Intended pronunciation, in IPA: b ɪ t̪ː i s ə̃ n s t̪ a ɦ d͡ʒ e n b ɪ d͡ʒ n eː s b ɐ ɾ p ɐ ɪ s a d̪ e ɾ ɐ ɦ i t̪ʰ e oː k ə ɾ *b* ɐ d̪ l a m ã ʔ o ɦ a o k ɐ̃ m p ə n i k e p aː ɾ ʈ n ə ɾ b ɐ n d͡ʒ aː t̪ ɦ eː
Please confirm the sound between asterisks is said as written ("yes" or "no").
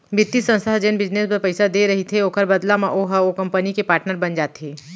yes